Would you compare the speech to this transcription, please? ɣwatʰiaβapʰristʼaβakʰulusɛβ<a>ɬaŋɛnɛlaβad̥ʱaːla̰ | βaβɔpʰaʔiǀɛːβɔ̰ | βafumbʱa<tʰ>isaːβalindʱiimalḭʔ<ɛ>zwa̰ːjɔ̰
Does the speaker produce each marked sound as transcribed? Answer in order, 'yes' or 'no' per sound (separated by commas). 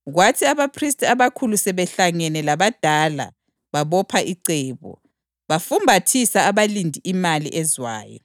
no, yes, yes